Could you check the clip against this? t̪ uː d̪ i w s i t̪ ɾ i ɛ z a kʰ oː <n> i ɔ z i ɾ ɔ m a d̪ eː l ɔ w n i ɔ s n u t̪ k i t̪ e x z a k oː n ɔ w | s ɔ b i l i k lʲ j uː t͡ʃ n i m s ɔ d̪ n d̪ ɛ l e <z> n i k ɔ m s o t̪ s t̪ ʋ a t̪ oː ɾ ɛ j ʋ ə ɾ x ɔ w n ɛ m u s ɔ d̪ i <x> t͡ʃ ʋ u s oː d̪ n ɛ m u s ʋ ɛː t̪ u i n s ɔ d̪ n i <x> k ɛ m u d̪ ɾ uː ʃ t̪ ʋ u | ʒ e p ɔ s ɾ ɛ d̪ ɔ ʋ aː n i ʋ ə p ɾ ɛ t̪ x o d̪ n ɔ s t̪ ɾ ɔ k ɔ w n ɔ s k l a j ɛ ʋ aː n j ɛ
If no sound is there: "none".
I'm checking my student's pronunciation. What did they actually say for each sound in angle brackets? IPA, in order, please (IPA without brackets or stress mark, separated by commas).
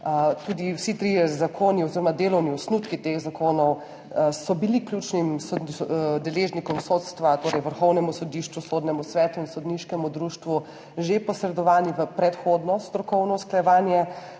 n, ʒ, ʃ, ʃ